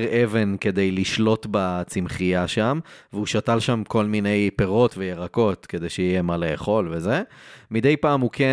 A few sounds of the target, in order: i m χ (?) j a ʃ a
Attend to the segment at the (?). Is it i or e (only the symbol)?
i